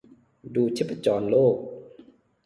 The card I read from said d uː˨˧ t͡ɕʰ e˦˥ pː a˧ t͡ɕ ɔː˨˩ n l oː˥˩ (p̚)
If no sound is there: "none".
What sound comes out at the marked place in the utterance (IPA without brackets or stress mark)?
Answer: k̚